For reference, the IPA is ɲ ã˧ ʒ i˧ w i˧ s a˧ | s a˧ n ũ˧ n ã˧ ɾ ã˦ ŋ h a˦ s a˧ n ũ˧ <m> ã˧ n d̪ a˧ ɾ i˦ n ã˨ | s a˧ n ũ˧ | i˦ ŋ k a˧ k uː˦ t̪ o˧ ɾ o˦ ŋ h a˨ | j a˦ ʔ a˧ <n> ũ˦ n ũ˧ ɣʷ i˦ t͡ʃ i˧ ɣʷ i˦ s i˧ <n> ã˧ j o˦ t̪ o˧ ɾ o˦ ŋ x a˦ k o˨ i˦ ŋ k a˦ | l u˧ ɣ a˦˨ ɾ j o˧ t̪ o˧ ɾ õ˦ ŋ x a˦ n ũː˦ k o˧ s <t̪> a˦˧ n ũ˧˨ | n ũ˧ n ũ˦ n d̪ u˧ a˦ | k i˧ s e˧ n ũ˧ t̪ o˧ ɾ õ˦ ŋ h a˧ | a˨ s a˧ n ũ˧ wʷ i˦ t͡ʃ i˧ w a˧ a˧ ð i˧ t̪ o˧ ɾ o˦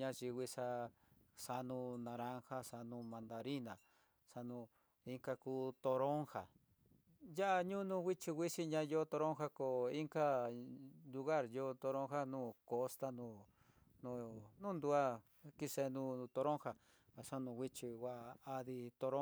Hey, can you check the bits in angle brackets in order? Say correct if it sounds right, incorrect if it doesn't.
correct, incorrect, incorrect, correct

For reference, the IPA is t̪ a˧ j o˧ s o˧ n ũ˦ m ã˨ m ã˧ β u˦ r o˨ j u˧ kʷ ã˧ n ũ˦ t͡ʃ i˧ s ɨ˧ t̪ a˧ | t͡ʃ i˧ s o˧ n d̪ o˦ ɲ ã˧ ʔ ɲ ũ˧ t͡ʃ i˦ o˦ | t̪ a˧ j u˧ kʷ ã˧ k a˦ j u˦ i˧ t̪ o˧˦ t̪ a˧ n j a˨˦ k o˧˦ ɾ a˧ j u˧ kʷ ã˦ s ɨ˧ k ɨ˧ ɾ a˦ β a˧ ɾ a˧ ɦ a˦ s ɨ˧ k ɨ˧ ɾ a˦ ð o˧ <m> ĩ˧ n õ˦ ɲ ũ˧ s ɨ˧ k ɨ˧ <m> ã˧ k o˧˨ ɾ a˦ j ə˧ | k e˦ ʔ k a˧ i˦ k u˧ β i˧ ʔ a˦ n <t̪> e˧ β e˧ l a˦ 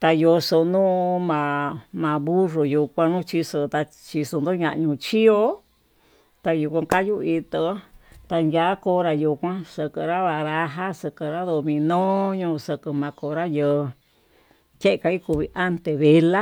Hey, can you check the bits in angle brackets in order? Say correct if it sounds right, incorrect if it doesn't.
correct, correct, correct

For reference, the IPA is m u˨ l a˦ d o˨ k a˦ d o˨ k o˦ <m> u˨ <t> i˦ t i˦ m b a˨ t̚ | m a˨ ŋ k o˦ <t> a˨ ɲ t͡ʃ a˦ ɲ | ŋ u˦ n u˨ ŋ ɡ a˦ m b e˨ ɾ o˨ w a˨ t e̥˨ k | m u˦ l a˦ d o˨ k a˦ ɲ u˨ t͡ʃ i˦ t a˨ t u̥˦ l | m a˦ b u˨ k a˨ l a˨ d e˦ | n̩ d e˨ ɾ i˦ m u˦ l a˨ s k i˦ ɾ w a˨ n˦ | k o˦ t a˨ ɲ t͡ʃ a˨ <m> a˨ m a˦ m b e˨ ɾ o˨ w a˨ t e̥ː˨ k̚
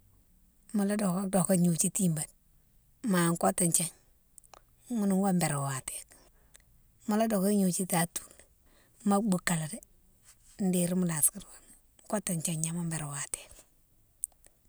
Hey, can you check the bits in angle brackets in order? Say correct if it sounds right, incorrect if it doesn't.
incorrect, incorrect, correct, incorrect

